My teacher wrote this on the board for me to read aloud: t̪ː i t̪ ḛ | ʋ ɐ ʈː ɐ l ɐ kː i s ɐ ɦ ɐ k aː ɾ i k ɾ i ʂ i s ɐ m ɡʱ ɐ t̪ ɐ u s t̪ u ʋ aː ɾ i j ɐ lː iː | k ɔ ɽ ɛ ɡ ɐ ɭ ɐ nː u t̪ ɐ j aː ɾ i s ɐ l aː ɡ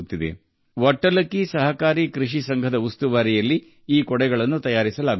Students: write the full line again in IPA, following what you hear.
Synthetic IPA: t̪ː i d̪ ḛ | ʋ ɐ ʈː ɐ l ɐ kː i s ɐ ɦ ɐ k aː ɾ i k ɾ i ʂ i s ɐ ŋ ɡʱ ɐ d̪ ɐ u s t̪ u ʋ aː ɾ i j ɐ lː iː | k ɔ ɽ ɛ ɡ ɐ ɭ ɐ nː u t̪ ɐ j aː ɾ i s ɐ l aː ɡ